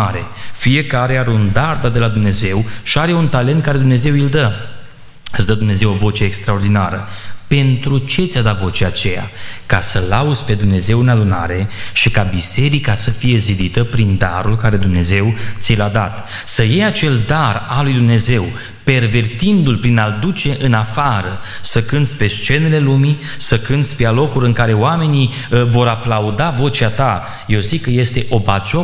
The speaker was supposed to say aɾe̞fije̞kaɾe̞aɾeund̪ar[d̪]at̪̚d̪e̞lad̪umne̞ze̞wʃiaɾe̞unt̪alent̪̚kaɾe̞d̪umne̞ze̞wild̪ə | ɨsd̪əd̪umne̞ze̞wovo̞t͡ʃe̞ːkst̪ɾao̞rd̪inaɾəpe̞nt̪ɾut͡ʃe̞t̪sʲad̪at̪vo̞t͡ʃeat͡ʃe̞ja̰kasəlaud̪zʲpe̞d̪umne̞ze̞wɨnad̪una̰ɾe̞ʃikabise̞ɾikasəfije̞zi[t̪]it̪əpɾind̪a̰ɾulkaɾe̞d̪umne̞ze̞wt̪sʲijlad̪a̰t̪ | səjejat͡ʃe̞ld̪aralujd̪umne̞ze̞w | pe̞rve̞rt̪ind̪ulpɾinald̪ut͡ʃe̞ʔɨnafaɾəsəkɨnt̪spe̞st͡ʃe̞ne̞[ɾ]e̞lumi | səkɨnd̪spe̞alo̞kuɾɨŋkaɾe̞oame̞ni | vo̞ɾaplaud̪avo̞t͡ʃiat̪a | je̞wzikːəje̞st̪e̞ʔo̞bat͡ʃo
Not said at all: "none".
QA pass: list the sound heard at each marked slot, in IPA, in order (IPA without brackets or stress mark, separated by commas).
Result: d̪, d̪, l